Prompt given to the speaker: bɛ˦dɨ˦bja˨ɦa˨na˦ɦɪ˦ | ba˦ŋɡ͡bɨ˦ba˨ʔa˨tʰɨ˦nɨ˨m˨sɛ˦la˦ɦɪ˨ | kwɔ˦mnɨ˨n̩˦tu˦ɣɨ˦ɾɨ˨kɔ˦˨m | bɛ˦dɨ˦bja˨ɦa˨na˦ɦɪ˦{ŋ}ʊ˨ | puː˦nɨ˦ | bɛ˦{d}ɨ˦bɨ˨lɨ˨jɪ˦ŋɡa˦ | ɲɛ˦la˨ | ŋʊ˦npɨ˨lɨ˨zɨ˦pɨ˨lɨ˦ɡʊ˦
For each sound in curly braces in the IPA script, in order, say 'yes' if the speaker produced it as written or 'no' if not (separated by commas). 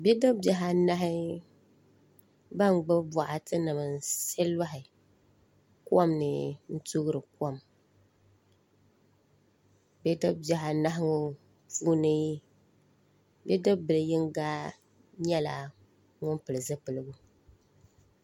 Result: yes, yes